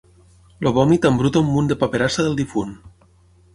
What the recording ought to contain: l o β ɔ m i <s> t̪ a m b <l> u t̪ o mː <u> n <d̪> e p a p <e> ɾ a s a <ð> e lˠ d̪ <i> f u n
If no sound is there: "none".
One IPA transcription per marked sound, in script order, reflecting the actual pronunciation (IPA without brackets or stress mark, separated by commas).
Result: none, ɾ, u, d̪, e, ð, i